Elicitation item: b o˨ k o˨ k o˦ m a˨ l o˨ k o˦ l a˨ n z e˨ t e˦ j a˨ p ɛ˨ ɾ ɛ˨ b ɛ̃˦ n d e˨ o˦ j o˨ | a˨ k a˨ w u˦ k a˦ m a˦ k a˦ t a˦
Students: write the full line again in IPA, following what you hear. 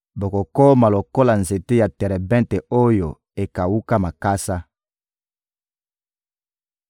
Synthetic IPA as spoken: b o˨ k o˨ k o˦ m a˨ l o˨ k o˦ l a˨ n z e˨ t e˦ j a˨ t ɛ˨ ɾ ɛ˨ b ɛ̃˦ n t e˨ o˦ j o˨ | e˨ k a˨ w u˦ k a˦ m a˨ k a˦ s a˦